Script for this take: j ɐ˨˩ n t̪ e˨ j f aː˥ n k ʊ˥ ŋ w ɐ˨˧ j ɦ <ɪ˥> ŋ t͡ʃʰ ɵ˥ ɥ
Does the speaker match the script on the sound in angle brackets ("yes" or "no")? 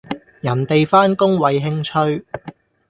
yes